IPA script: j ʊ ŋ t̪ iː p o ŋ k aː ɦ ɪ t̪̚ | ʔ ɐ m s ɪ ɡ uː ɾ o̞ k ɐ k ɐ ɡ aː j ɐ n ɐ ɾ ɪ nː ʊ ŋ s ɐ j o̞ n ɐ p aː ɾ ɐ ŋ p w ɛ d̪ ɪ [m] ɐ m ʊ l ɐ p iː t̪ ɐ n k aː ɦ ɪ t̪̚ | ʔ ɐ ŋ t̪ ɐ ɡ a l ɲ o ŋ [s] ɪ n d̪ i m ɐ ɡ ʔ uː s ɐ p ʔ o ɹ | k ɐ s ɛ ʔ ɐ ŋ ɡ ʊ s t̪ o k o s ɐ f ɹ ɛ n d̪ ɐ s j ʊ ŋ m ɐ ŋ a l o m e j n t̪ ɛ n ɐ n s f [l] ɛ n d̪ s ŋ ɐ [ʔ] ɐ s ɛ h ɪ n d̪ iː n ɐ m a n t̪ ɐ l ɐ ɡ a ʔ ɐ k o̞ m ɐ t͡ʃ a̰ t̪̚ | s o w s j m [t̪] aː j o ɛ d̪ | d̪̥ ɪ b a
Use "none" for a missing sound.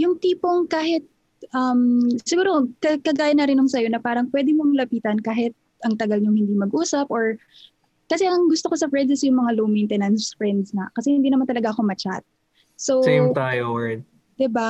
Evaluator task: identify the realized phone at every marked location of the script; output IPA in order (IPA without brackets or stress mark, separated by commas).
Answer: m, h, ɹ, k, t̪